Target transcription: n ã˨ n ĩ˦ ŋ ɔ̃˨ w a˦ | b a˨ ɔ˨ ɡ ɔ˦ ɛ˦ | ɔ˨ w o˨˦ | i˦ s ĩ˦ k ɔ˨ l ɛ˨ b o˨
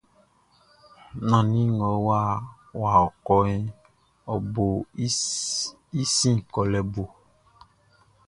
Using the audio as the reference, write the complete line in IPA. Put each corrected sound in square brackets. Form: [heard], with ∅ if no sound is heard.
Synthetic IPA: n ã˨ n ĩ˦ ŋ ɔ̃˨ w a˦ | [w] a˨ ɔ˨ [k] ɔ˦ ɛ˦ | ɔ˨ [b] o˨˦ | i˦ s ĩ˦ k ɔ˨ l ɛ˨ b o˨